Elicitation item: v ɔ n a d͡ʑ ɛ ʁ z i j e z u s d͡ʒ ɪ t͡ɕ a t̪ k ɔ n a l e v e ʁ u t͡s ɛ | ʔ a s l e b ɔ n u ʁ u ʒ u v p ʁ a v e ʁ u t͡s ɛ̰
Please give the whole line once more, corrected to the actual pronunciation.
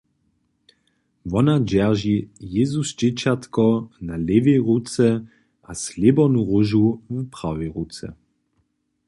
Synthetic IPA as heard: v ɔ n a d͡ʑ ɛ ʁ ʒ i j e z u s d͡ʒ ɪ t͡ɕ a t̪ k ɔ n a l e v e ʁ u t͡s ɛ | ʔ a s l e b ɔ n u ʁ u ʒ u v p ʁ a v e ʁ u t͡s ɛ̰